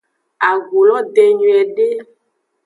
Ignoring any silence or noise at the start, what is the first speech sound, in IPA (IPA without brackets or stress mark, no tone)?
a